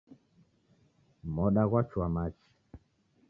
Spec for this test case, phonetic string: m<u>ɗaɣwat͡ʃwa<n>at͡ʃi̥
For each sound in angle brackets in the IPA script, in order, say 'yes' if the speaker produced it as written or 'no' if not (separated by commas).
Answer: no, no